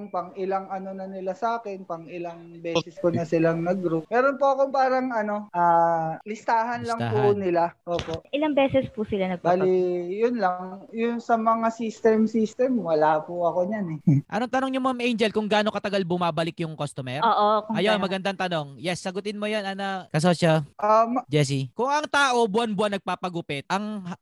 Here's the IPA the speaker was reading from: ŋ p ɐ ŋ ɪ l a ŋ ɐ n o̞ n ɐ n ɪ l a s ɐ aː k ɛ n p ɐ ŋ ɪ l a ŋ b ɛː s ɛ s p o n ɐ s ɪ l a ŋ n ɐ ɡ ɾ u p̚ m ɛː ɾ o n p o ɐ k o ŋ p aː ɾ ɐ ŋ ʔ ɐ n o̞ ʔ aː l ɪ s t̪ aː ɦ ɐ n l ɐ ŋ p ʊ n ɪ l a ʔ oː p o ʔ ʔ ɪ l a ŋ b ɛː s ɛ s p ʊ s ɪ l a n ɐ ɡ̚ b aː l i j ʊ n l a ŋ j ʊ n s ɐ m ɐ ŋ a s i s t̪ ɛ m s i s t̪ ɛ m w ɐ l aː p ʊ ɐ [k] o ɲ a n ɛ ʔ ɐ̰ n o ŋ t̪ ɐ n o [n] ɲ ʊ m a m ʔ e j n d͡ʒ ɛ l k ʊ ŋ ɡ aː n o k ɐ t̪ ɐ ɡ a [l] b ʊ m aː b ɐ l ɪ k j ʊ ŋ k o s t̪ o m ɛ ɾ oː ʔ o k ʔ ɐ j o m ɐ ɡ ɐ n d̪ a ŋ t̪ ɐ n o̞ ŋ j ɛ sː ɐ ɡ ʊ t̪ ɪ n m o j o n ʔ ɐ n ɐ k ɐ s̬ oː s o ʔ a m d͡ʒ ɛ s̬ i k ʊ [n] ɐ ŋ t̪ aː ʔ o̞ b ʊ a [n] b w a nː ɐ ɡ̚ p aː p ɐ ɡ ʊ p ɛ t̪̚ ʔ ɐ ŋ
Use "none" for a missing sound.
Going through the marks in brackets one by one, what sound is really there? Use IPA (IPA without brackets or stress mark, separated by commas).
k, ŋ, l, ŋ, n